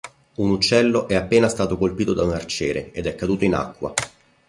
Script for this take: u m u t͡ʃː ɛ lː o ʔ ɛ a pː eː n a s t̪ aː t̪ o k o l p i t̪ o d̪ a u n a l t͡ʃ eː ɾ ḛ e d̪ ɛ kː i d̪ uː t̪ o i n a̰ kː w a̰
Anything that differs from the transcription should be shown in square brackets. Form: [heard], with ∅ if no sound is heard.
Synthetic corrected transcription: u [n] u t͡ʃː ɛ lː o ʔ ɛ a pː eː n a s t̪ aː t̪ o k o l p [iː] t̪ o d̪ a u n a [r] t͡ʃ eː ɾ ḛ e d̪ ɛ kː [a] d̪ uː t̪ o i n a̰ kː w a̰

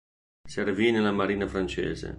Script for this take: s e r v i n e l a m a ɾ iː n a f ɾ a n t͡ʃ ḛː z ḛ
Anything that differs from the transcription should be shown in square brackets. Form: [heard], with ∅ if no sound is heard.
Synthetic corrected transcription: s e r v i n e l a m a ɾ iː n a f ɾ a n t͡ʃ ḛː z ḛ

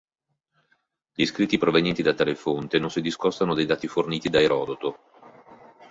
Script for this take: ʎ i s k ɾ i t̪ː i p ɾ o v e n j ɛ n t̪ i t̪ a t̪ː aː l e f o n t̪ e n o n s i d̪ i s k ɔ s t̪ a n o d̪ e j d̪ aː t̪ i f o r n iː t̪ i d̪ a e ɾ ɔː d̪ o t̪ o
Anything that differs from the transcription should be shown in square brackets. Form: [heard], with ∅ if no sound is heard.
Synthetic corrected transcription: ʎ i s k ɾ i t̪ː i p ɾ o v e n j ɛ n t̪ i [d̪] a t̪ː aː l e f o n t̪ e n o n s i d̪ i s k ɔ s t̪ a n o d̪ e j d̪ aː t̪ i f o r n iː t̪ i d̪ a e ɾ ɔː d̪ o t̪ o

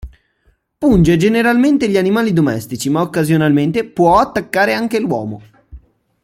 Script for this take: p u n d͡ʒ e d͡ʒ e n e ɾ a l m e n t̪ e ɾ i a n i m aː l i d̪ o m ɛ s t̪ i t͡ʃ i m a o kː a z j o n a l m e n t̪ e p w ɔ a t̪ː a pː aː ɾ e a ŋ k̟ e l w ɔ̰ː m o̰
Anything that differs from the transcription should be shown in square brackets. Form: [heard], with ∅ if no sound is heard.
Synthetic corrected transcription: p u n d͡ʒ e d͡ʒ e n e ɾ a l m e n t̪ e [ʎ] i a n i m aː l i d̪ o m ɛ s t̪ i t͡ʃ i m a o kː a z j o n a l m e n t̪ e p w ɔ a t̪ː a [kː] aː ɾ e a ŋ k̟ e l w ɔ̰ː m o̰

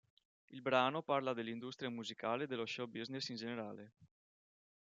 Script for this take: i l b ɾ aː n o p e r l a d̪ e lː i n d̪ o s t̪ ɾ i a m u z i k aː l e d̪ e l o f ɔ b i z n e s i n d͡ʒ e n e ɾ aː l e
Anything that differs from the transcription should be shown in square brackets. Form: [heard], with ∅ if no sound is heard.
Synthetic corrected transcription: i l b ɾ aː n o p [a] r l a d̪ e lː i n d̪ [u] s t̪ ɾ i a m u z i k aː l e d̪ e l o [ʃ] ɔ b i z n e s i n d͡ʒ e n e ɾ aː l e

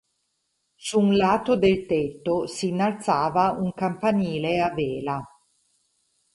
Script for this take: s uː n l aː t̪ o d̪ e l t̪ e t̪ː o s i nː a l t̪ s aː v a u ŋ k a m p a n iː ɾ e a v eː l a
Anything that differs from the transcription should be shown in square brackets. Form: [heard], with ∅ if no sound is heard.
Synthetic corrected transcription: s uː n l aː t̪ o d̪ e l t̪ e t̪ː o s i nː a l t̪ s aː v a u ŋ k a m p a n iː [l] e a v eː l a

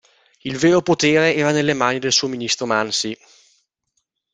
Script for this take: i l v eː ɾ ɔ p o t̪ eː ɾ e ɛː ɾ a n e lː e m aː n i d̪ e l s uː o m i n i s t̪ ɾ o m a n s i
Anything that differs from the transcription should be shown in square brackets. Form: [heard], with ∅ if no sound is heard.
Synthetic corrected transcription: i l v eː ɾ [o] p o t̪ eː ɾ e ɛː ɾ a n e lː e m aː n i d̪ e l s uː o m i n i s t̪ ɾ o m a n s i

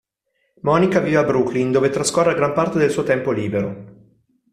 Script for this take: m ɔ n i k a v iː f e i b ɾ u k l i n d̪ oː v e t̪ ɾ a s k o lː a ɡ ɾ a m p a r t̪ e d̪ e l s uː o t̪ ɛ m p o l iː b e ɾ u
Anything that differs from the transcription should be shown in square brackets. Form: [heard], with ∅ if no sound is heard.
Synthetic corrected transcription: m ɔ n i k a v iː [v] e [a] b ɾ u k l i n d̪ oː v e t̪ ɾ a s k o [rː] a ɡ ɾ a m p a r t̪ e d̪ e l s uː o t̪ ɛ m p o l iː b e ɾ [o]

